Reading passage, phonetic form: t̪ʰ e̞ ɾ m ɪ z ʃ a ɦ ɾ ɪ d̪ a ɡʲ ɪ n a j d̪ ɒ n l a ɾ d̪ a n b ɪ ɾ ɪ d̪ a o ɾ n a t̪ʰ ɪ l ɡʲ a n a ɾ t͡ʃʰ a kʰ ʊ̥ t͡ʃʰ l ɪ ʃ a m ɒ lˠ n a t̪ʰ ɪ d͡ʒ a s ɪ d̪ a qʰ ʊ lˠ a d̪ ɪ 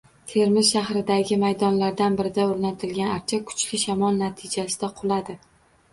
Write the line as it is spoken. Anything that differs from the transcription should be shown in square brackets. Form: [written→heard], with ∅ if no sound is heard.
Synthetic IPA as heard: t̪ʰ e̞ ɾ m ɪ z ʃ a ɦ ɾ ɪ d̪ a ɡʲ ɪ [n→m] a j d̪ ɒ n l a ɾ d̪ a n b ɪ ɾ ɪ d̪ a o ɾ n a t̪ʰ ɪ l ɡʲ a n a ɾ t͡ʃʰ a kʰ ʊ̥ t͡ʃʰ l ɪ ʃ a m ɒ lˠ n a t̪ʰ ɪ d͡ʒ a s ɪ d̪ a qʰ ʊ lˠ a d̪ ɪ